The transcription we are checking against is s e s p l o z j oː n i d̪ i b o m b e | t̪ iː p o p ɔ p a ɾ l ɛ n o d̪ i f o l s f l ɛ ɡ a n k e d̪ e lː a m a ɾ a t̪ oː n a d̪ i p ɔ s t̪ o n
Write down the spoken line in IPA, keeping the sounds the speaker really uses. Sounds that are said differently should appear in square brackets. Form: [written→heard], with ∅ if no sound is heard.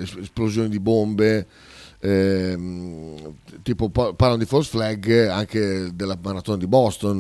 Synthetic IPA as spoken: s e s p l o z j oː n i d̪ i b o m b e | t̪ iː p o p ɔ p a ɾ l [ɛ→a] n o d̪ i f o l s f l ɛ ɡ a [n→ŋ] k e d̪ e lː a m a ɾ a t̪ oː n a d̪ i [p→b] ɔ s t̪ o n